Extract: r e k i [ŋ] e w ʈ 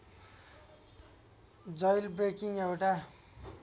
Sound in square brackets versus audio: correct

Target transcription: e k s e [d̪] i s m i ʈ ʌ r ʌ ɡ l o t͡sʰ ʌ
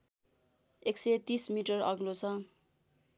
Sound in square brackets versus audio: incorrect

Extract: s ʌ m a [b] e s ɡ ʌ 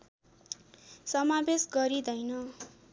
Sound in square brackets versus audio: correct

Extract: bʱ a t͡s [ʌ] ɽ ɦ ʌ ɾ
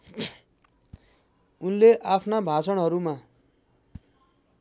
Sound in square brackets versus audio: correct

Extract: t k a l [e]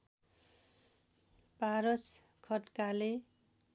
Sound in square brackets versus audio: correct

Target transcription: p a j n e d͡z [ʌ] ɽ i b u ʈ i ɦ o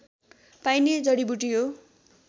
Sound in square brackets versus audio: correct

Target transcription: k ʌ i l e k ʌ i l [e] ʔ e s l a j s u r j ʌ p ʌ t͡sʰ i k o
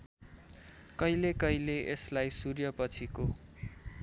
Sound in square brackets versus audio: correct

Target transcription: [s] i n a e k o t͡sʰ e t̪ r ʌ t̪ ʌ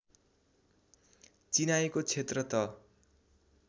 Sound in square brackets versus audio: incorrect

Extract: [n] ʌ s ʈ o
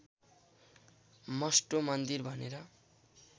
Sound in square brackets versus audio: incorrect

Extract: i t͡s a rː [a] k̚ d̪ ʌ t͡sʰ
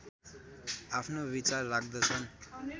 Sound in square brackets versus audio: correct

